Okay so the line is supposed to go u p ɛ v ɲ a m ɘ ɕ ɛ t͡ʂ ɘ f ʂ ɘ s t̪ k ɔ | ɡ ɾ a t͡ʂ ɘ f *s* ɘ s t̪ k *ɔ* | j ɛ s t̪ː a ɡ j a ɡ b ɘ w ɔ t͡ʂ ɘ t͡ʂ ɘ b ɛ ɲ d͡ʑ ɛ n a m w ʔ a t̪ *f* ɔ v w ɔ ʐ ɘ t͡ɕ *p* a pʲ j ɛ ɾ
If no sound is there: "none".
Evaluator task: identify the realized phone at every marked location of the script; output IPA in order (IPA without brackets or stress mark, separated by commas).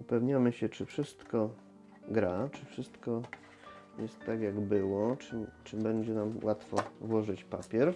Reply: ʂ, ɔ, f, p